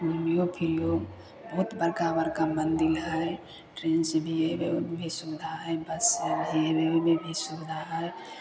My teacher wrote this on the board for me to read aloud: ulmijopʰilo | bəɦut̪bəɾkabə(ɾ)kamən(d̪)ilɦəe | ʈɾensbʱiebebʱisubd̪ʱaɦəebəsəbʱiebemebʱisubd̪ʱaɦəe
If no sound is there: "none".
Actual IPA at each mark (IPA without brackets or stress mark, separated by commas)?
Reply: ɾ, d̪